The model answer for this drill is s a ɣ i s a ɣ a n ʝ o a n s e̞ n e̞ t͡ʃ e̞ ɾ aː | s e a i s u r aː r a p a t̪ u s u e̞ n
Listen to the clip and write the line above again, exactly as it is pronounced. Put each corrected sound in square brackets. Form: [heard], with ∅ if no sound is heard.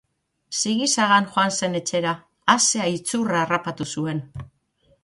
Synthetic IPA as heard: s [i] ɣ i s a ɣ a n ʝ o a n s e̞ n e̞ t͡ʃ e̞ ɾ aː | s e a i [t͡s] u r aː r a p a t̪ u s u e̞ n